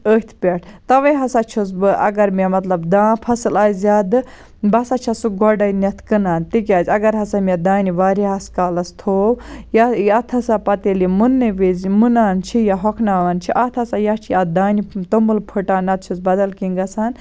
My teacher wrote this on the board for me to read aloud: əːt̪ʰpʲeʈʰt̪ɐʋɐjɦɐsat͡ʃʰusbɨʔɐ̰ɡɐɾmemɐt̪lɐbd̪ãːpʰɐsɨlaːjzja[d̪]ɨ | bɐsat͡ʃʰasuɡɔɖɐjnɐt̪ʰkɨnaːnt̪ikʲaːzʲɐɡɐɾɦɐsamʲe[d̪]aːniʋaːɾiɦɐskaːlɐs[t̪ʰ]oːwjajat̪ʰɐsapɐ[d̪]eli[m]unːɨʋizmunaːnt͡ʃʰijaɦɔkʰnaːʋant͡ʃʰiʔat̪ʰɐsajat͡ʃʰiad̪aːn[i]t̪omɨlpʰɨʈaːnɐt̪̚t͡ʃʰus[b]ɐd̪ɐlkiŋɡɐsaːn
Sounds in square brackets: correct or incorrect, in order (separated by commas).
correct, correct, correct, incorrect, correct, correct, correct